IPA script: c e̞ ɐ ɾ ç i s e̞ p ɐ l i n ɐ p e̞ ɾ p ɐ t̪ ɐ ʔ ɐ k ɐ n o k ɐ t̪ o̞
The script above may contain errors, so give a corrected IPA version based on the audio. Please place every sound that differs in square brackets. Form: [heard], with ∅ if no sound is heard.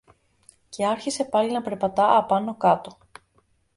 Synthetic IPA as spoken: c e̞ ɐ ɾ ç i s e̞ p ɐ l i n ɐ p e̞ ɾ p ɐ t̪ ɐ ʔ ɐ [p] ɐ n o k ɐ t̪ o̞